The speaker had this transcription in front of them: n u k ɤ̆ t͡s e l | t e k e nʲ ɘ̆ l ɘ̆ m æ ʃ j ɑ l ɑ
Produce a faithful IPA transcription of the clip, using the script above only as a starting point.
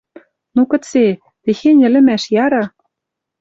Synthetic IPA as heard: n u k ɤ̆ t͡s e | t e x e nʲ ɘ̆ l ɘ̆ m æ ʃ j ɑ ɾ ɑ